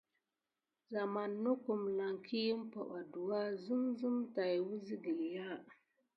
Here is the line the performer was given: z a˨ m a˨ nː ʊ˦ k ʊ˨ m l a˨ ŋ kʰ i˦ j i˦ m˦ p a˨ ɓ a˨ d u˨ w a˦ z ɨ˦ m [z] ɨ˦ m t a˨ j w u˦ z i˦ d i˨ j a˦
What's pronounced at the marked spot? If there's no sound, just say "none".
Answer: z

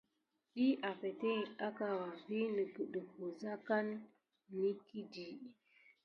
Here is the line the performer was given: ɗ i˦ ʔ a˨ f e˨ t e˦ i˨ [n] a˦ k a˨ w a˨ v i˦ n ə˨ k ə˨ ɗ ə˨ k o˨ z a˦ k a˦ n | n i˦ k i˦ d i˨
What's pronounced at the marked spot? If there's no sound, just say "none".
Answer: none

